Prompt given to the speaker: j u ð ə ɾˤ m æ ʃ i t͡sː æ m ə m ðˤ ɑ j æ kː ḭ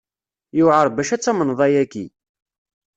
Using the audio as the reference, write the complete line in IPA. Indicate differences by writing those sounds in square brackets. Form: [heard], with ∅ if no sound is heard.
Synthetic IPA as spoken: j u [ʕ] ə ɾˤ [b] æ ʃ [æ] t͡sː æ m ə [n] ðˤ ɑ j æ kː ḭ